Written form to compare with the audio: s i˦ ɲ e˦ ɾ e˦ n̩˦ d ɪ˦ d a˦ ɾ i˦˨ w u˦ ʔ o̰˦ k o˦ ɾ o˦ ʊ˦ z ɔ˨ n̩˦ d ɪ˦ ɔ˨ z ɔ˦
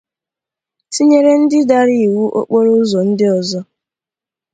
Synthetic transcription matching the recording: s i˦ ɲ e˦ ɾ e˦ n̩˦ d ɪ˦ d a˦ ɾ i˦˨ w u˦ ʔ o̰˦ k͡p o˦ ɾ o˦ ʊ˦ z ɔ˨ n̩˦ d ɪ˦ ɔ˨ z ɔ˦